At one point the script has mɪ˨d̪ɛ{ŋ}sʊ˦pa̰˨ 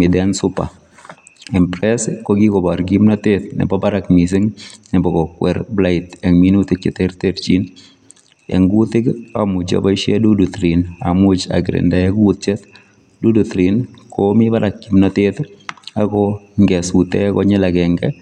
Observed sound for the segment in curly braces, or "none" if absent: n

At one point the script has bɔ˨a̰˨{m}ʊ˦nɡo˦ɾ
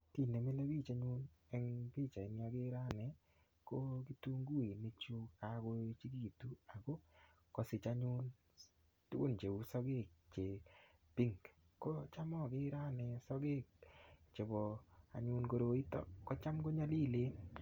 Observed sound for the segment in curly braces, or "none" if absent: ɲ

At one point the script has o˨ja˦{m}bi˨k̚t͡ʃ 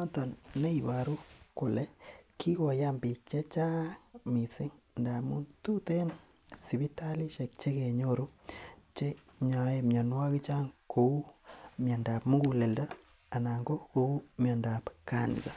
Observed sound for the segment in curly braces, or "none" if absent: m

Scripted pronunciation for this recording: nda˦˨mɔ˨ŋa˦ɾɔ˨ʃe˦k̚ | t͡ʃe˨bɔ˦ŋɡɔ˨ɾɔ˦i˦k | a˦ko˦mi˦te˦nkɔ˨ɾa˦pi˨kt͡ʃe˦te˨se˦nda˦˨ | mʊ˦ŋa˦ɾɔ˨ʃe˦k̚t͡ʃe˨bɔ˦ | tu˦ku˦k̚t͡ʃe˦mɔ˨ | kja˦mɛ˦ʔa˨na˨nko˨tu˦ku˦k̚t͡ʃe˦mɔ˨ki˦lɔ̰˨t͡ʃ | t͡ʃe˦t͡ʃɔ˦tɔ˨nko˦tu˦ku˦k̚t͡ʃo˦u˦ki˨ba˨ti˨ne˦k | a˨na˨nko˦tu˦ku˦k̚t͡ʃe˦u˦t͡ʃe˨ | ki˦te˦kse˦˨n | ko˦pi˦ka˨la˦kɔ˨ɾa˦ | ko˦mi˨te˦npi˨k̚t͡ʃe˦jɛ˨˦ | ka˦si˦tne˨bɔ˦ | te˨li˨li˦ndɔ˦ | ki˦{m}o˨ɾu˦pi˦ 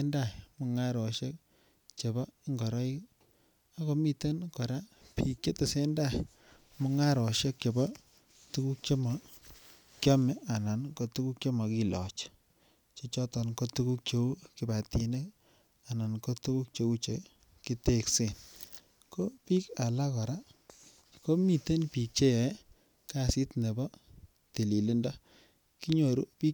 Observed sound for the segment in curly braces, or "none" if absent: ɲ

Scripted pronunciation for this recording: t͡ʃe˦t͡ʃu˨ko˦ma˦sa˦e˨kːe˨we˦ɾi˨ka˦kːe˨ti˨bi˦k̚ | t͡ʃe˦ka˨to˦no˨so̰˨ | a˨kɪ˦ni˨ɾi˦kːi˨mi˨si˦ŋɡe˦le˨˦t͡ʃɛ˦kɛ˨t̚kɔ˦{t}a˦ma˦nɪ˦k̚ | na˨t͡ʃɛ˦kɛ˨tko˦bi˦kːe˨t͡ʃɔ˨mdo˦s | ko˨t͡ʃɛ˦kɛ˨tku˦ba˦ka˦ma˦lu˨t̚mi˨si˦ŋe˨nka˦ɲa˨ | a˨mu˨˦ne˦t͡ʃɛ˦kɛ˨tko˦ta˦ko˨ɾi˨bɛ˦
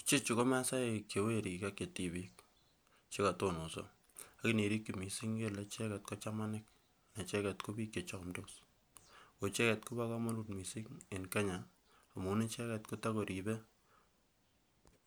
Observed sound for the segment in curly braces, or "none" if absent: t͡ʃ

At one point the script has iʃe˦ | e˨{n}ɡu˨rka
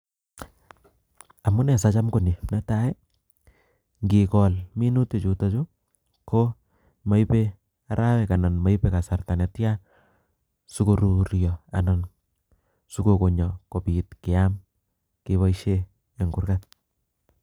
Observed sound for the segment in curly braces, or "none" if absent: ŋ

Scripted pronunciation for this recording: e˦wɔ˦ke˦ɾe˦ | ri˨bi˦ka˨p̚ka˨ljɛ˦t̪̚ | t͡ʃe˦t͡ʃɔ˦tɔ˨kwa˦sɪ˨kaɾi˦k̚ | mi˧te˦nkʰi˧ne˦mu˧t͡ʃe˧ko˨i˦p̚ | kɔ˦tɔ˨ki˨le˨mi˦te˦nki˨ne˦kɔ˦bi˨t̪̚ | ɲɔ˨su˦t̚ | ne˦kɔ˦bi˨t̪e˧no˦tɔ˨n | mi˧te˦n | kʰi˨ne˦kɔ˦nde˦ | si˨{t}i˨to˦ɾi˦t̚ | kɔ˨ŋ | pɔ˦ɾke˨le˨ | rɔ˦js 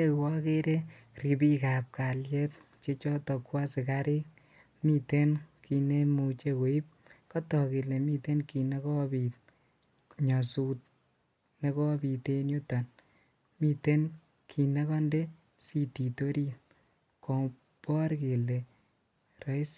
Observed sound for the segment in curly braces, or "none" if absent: t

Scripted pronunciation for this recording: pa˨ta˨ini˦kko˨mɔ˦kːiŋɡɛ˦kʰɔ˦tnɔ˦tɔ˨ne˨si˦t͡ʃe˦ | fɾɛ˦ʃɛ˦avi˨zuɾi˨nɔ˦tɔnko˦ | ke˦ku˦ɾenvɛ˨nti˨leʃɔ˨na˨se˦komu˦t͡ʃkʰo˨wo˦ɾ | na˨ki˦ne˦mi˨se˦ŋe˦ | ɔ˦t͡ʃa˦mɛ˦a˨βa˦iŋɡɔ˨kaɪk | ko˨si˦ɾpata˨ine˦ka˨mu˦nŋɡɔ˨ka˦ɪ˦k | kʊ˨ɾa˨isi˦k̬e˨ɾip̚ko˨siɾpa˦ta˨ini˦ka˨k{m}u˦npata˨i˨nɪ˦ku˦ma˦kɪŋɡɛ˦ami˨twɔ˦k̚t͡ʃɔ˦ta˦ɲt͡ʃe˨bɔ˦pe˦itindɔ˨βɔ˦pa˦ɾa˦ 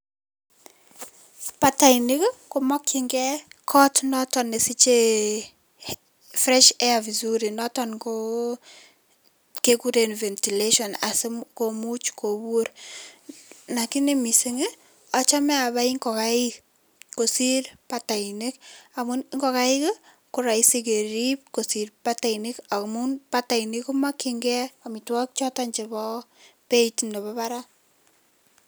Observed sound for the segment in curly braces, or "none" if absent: m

